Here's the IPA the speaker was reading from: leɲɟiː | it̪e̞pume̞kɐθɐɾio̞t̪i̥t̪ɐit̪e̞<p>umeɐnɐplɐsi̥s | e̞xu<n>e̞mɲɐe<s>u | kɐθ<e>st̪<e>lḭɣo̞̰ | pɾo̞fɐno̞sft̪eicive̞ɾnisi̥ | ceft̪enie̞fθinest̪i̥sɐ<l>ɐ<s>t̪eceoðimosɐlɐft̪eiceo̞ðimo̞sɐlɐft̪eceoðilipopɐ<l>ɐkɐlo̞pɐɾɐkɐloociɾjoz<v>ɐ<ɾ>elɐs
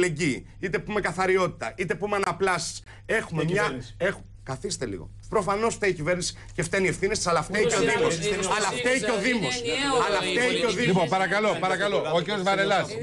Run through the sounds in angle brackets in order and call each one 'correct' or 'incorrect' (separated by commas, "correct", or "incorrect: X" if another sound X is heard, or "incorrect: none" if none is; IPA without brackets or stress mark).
correct, incorrect: m, incorrect: x, incorrect: i, correct, correct, incorrect: f, incorrect: ɾ, correct, correct